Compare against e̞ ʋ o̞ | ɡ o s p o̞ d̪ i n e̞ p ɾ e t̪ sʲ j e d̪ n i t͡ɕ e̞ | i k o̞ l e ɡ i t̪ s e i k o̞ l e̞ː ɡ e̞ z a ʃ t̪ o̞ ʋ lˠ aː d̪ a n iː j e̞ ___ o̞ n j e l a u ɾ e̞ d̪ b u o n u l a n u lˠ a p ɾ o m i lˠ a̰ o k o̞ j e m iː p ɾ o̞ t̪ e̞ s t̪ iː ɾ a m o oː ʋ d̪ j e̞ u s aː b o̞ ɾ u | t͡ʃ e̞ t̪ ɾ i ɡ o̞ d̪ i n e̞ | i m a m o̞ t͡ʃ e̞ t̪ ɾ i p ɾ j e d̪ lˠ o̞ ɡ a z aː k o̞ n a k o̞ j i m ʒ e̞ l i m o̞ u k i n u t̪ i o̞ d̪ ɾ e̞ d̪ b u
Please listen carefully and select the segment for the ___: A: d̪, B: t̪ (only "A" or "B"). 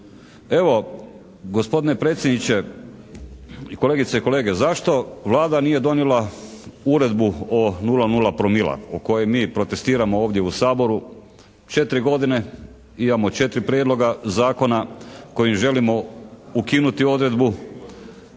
A